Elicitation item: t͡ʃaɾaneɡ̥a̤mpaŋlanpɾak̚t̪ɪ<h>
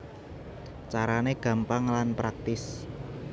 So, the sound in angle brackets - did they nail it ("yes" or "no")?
no